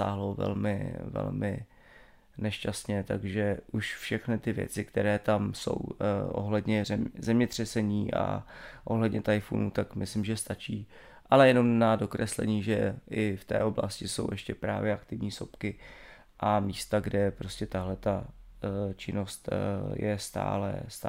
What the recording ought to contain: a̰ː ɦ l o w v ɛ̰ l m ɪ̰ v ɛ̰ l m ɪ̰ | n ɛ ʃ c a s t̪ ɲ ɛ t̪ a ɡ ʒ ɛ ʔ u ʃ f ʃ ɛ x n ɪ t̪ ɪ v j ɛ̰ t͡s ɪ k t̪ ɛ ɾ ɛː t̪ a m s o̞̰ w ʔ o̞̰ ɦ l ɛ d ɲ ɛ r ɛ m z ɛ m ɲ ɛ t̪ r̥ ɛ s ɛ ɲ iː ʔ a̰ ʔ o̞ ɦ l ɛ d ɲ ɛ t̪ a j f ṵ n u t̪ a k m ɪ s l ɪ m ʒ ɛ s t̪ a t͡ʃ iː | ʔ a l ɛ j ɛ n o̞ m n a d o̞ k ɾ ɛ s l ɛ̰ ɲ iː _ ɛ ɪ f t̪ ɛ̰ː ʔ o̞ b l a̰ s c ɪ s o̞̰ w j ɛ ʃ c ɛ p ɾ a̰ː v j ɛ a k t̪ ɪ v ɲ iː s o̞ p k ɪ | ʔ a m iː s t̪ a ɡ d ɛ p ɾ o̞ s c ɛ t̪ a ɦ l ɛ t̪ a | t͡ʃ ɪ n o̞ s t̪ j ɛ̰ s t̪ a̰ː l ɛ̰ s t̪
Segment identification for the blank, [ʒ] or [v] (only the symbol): ʒ